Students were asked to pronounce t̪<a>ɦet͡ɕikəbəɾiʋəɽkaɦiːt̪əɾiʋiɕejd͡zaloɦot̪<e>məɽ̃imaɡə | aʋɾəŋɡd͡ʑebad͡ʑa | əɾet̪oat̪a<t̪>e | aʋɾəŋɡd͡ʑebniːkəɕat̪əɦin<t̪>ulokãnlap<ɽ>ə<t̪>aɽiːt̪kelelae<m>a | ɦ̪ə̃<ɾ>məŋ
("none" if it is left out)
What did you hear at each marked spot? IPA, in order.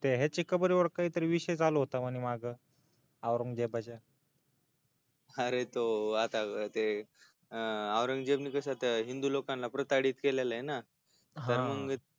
e, a, t̪, d̪, ɾ, t̪, n, ɾ

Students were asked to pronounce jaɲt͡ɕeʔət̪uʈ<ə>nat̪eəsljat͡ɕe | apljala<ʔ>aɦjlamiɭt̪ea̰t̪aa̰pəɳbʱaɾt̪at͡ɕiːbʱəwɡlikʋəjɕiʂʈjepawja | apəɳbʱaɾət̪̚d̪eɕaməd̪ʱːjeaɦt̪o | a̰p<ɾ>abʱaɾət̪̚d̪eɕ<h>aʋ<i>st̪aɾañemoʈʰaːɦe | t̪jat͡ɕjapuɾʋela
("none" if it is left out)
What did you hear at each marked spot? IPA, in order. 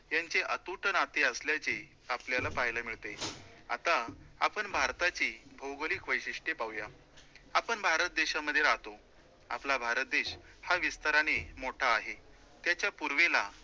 ə, p, l, h, i

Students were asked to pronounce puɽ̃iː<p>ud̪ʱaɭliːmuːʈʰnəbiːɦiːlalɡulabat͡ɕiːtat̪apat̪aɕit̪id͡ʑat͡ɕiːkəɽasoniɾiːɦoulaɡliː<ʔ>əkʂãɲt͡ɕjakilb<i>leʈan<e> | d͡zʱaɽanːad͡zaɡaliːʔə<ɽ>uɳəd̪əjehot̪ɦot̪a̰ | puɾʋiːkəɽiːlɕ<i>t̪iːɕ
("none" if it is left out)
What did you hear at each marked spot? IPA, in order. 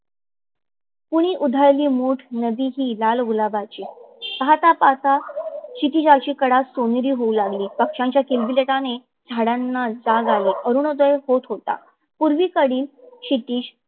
ʔ, p, i, e, ɾ, i

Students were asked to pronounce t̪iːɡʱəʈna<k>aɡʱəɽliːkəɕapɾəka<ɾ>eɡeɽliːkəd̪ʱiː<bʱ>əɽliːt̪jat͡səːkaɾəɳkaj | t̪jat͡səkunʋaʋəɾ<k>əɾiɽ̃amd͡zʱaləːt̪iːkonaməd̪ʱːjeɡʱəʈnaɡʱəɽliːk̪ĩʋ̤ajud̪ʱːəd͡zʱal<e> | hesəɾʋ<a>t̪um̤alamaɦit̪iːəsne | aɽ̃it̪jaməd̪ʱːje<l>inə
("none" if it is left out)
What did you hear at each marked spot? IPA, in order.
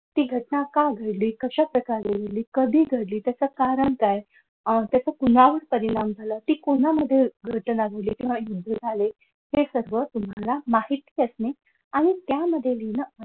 k, ɾ, ɡʱ, p, e, ə, l

